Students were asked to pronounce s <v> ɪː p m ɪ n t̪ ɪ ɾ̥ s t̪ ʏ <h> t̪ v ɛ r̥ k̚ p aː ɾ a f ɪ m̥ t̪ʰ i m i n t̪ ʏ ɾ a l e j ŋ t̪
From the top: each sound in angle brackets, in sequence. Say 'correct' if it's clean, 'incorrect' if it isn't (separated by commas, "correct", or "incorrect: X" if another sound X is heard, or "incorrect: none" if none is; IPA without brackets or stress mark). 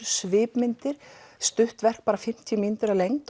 correct, correct